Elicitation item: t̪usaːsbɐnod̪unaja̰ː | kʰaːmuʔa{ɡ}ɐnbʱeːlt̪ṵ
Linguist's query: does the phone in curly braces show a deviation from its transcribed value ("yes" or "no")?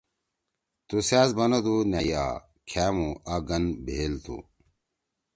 no